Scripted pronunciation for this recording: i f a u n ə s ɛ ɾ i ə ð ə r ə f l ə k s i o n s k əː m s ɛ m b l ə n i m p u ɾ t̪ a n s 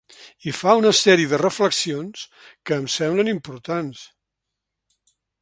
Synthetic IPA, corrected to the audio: i f a u n ə s ɛ ɾ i ə ð ə r ə f l ə k s i o n s k əː m s ɛ m b l ə n i m p u ɾ t̪ a n s